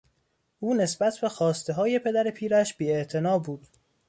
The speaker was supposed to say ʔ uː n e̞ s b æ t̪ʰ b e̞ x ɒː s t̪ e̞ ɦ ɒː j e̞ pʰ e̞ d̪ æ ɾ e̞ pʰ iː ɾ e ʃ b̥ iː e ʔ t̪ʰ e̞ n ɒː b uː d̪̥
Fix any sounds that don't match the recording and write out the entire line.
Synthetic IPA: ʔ uː n e̞ s b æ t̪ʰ b e̞ x ɒː s t̪ e̞ ɦ ɒː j e̞ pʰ e̞ d̪ æ ɾ e̞ pʰ iː ɾ æ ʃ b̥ iː e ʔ t̪ʰ e̞ n ɒː b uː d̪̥